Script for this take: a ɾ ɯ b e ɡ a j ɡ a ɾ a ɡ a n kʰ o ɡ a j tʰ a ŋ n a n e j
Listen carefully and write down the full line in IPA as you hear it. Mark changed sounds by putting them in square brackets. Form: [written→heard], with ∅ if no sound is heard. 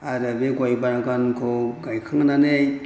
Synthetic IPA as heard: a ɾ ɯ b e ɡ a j [ɡ→b] a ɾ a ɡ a n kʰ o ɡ a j [tʰ→kʰ] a ŋ n a n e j